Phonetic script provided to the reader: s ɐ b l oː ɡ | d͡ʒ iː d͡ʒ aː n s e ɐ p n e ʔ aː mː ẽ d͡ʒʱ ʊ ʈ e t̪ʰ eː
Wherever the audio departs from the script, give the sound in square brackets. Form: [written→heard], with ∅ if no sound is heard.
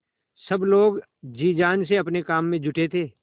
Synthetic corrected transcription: s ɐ b l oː ɡ | d͡ʒ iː d͡ʒ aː n s e ɐ p n e [ʔ→k] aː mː ẽ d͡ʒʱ ʊ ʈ e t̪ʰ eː